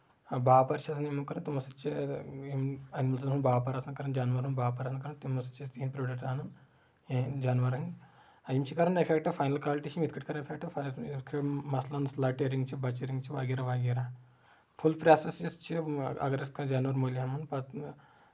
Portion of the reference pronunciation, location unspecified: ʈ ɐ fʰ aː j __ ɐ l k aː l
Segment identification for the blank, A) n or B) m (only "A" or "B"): A